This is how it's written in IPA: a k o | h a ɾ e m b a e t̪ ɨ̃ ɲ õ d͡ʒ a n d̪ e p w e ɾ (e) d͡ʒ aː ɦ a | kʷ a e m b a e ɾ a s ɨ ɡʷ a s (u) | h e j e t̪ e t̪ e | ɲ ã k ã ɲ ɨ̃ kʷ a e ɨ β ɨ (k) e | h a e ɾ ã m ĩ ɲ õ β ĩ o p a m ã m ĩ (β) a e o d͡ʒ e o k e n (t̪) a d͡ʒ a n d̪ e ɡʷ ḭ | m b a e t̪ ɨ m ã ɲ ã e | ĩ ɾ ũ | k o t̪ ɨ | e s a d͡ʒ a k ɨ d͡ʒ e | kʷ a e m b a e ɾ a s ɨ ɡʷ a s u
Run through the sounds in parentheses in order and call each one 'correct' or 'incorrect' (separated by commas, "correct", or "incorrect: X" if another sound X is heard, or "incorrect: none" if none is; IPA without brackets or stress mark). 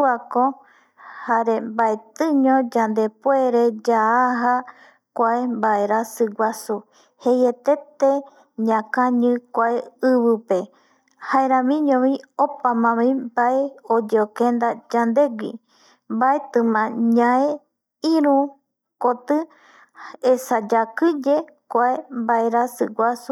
correct, correct, incorrect: p, incorrect: b, incorrect: d̪